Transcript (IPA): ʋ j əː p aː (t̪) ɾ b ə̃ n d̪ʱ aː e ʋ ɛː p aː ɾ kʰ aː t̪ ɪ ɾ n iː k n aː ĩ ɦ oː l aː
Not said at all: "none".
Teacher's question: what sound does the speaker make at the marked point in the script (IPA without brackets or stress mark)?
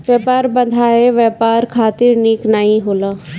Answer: none